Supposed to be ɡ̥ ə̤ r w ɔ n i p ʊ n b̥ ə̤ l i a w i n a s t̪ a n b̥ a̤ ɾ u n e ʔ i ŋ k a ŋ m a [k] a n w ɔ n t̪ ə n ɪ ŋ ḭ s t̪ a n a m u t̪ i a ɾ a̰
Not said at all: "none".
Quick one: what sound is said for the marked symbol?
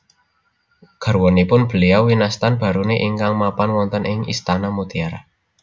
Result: p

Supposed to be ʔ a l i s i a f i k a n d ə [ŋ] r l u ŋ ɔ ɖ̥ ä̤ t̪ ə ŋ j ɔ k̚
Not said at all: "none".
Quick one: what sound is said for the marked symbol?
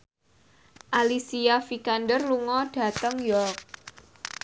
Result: none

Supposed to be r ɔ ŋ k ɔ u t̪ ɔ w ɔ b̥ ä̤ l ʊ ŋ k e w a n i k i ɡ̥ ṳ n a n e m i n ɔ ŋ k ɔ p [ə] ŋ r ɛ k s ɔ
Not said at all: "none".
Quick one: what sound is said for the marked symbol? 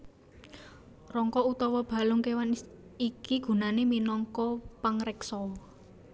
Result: a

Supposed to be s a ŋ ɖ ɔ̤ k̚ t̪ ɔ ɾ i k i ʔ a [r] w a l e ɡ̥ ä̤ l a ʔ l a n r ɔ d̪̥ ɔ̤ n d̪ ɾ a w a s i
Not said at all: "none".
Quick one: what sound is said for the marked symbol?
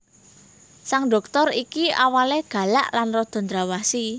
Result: none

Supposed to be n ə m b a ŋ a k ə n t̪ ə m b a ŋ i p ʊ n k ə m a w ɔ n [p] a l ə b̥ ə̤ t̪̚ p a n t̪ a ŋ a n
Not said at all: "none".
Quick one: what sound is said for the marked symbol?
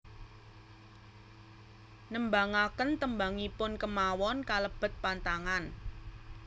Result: k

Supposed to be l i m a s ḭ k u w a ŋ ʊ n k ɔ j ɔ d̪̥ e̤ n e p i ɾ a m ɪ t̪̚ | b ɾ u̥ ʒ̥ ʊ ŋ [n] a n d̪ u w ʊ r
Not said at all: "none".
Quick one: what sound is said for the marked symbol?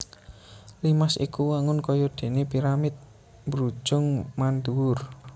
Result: m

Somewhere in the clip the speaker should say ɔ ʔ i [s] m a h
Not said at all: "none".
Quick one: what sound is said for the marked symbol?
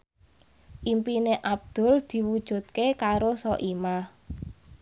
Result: none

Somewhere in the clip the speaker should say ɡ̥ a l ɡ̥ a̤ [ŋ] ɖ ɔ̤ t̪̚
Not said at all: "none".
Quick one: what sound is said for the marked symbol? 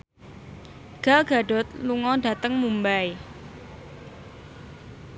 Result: none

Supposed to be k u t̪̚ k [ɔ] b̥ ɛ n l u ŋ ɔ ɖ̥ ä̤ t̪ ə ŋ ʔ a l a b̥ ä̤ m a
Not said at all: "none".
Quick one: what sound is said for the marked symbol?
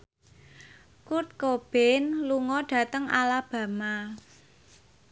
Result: o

